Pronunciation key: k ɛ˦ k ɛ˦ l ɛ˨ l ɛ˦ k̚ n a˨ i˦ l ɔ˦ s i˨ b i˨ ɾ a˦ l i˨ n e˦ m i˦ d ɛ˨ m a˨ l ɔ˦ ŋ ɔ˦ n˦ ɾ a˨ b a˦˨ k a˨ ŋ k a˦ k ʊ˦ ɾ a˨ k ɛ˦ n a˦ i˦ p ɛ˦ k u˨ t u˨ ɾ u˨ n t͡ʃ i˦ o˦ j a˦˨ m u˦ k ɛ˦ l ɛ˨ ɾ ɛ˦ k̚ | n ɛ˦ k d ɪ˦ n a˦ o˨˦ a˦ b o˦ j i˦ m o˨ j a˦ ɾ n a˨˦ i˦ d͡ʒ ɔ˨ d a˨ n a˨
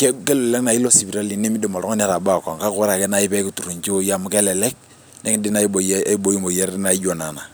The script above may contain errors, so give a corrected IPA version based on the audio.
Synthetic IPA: k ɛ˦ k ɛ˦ l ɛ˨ l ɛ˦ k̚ n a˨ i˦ l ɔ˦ s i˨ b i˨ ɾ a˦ l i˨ n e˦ m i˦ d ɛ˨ m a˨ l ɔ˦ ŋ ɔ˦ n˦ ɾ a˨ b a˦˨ k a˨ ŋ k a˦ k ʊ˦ ɾ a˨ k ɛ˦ n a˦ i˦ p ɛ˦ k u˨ t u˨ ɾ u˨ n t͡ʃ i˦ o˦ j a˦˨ m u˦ k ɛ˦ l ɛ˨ l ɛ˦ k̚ | n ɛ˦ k d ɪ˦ n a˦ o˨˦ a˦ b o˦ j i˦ m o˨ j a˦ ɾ n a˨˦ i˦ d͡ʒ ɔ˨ n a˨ n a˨